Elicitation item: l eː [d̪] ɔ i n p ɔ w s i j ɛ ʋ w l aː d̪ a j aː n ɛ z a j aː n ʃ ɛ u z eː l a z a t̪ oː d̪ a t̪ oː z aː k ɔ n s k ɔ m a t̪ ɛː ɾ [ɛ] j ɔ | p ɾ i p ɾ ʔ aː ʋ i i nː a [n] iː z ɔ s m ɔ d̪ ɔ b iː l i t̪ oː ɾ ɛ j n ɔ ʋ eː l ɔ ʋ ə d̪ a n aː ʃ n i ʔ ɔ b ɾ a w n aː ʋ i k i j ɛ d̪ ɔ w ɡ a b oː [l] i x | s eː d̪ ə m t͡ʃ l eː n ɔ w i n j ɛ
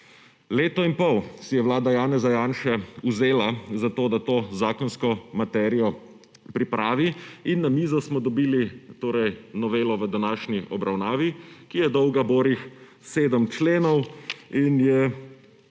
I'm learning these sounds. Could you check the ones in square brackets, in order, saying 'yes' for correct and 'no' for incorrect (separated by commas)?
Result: no, no, no, no